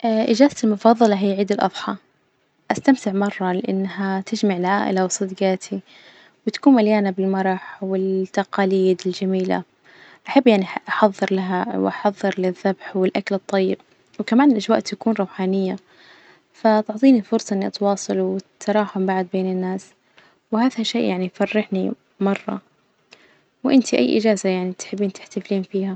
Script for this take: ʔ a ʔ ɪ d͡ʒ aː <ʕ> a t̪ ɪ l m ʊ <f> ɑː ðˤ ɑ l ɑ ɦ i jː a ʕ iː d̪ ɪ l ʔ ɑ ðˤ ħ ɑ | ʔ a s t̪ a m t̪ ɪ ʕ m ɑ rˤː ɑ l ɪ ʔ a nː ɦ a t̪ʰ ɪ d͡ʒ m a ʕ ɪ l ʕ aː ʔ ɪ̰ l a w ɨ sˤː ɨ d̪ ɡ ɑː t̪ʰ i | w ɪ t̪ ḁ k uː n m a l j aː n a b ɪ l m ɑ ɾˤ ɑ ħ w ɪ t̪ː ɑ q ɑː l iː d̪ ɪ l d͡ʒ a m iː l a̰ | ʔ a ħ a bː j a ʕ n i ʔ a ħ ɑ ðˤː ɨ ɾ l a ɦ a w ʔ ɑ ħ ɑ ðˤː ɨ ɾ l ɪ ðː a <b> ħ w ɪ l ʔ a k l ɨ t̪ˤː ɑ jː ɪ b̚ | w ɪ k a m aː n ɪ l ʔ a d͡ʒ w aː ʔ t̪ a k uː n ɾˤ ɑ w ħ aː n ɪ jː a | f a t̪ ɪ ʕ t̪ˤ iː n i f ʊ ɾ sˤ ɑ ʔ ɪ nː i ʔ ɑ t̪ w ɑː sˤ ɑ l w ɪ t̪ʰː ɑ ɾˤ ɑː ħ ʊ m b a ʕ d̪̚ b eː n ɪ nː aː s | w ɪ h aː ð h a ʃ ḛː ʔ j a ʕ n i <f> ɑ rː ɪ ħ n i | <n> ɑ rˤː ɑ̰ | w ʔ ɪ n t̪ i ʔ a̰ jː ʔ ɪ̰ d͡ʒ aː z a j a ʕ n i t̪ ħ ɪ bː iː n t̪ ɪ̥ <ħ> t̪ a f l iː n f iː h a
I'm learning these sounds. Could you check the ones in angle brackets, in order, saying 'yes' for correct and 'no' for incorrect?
no, yes, yes, yes, no, yes

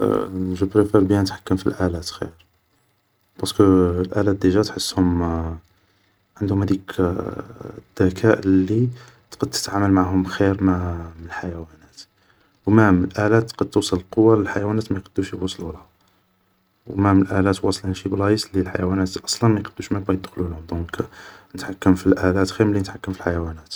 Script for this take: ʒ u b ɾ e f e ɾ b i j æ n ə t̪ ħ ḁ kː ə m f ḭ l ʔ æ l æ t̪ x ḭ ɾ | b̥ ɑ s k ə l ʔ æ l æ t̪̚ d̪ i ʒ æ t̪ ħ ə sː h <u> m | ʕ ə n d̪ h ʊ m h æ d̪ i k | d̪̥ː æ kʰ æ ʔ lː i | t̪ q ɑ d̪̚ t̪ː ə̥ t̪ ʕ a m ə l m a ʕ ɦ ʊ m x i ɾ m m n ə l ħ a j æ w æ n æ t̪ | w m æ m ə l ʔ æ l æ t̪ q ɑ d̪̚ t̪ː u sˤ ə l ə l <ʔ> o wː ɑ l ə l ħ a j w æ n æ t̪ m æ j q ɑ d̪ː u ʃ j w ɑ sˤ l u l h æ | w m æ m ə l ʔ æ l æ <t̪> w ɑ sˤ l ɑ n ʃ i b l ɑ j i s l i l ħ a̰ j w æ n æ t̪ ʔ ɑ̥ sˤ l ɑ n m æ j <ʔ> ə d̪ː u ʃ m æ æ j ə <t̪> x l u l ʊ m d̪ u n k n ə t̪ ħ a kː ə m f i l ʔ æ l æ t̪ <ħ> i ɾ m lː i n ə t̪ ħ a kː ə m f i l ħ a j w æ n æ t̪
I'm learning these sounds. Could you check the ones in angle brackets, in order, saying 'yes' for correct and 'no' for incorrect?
no, no, yes, no, no, no

